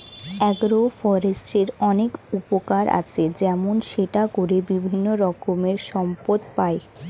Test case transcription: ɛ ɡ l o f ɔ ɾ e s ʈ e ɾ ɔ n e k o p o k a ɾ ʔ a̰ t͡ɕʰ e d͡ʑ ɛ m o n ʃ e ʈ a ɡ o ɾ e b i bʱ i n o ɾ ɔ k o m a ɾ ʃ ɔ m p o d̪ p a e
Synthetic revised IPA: ɛ ɡ ɾ o f ɔ ɾ e s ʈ e ɾ ɔ n e k u p o k a ɾ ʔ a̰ t͡ɕʰ e d͡ʑ ɛ m o n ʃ e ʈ a k o ɾ e b i bʱ i nː o ɾ ɔ k o m e ɾ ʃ ɔ m p o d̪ p a e